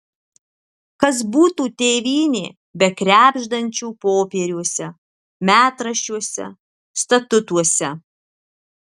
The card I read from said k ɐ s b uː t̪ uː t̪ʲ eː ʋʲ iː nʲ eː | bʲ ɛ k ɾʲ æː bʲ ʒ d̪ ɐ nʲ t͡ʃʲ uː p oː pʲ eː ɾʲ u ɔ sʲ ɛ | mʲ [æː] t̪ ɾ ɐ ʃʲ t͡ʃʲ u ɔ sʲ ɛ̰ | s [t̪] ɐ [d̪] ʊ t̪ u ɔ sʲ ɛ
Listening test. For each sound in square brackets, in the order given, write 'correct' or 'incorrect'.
correct, correct, incorrect: t̪

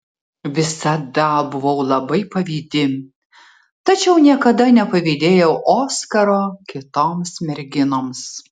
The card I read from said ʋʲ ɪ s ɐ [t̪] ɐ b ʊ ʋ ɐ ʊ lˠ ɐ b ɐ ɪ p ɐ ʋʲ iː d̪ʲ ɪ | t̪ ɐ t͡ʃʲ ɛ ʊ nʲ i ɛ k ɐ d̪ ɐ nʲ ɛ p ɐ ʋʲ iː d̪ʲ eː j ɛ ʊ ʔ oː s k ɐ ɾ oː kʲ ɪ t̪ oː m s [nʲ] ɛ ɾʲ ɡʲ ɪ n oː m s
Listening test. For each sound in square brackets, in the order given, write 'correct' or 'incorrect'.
incorrect: d̪, incorrect: mʲ

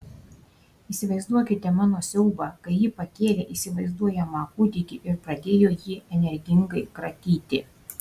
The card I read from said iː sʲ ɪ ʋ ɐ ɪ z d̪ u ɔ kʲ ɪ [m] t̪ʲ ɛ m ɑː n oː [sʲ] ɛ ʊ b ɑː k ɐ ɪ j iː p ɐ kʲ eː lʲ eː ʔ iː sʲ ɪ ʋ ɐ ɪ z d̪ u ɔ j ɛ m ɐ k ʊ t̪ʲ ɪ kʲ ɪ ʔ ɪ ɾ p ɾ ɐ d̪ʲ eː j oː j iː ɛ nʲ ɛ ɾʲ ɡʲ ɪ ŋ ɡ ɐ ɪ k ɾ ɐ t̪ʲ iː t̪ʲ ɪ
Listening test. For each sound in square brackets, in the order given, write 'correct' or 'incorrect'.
incorrect: none, correct

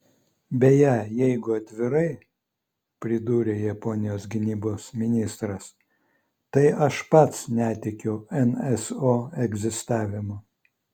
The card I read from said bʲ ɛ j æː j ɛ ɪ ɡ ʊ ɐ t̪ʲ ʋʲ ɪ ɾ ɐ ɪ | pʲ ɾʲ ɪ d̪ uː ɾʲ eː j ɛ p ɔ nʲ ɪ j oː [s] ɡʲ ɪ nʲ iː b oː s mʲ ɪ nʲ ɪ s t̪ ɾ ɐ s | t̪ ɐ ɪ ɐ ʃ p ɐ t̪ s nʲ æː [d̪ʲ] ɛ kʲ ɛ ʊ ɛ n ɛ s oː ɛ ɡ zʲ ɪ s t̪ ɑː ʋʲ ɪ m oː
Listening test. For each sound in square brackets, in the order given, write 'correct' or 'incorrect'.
correct, incorrect: t̪ʲ

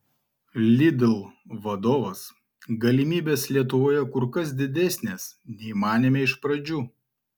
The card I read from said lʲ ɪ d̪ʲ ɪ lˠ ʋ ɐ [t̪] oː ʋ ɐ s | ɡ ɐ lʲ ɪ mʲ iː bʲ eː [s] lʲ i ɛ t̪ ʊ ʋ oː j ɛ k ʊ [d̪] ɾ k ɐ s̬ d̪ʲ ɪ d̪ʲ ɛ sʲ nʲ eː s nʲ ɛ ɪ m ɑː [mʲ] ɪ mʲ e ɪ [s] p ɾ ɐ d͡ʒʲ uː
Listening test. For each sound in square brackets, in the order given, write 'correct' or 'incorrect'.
incorrect: d̪, correct, incorrect: none, incorrect: nʲ, incorrect: ʃ

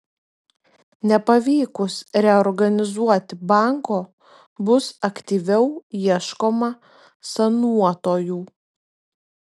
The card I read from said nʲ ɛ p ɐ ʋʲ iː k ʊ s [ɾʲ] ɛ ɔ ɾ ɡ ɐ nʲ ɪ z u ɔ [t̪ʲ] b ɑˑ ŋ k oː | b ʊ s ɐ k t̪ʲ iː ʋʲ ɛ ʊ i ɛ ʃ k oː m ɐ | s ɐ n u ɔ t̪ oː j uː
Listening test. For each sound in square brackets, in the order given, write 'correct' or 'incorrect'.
correct, correct

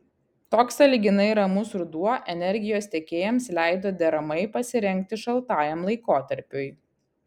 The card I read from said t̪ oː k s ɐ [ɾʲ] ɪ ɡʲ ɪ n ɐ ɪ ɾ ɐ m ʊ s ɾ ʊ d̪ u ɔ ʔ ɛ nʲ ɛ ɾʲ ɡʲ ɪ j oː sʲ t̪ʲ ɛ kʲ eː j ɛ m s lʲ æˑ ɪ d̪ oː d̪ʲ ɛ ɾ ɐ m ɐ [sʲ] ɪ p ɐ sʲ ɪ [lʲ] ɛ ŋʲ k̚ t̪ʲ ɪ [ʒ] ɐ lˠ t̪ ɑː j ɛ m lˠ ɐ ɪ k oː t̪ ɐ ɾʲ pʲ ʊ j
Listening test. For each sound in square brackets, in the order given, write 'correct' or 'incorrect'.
incorrect: lʲ, incorrect: none, incorrect: ɾʲ, incorrect: ʃ

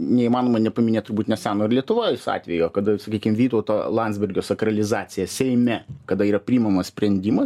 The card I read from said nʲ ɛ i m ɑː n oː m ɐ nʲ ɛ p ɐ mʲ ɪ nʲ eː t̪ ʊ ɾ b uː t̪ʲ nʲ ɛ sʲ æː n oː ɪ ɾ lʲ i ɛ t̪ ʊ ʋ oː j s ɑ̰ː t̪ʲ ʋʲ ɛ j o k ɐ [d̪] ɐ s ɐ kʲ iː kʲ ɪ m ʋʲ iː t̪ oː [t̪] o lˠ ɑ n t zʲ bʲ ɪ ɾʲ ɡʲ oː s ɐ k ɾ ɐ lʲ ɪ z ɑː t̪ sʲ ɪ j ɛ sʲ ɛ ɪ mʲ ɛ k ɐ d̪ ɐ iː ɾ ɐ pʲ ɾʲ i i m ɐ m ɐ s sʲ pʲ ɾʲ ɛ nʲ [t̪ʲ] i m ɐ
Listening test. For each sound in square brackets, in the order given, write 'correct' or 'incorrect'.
correct, correct, incorrect: d̪ʲ

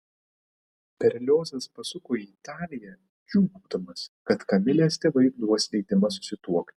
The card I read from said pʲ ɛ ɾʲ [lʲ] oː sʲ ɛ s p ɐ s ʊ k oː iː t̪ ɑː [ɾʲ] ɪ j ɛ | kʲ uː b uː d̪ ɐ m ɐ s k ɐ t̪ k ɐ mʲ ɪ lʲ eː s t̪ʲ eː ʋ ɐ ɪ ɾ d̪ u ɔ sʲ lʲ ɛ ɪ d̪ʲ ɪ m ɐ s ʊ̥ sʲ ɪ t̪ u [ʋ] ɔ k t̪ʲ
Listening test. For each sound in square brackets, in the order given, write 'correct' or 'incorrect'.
correct, incorrect: lʲ, incorrect: none

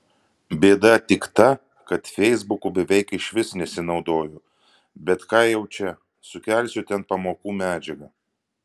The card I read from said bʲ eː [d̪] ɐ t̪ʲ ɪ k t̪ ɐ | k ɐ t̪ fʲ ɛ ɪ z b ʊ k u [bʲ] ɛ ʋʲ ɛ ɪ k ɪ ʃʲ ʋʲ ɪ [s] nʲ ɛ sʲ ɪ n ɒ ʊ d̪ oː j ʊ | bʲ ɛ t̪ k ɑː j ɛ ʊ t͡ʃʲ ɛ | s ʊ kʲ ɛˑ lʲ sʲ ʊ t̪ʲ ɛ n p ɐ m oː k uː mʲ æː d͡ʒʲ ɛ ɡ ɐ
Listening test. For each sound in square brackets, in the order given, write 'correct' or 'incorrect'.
correct, correct, correct

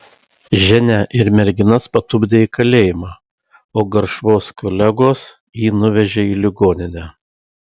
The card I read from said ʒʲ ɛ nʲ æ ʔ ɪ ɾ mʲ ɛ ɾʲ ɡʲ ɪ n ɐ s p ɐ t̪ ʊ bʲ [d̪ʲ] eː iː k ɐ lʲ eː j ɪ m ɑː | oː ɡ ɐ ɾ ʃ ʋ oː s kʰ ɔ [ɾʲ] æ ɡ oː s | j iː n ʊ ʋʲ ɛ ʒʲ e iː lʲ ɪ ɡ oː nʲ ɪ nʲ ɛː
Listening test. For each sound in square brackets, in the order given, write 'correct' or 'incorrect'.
correct, incorrect: lʲ

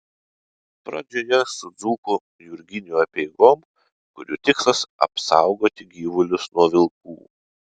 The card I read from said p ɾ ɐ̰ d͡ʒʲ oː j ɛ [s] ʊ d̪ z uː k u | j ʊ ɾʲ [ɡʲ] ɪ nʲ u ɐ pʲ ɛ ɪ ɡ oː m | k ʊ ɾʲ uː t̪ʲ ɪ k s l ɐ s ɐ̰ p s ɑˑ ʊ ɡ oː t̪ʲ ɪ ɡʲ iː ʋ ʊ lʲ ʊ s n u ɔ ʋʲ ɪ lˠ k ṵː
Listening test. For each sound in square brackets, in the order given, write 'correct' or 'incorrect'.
correct, correct

